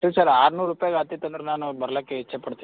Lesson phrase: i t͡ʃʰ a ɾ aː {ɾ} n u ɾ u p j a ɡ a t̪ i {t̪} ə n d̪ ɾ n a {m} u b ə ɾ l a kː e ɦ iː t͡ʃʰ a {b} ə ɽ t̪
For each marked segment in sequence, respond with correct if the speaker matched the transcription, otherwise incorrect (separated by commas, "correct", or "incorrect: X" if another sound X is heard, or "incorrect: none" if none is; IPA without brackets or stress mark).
correct, correct, incorrect: n, incorrect: p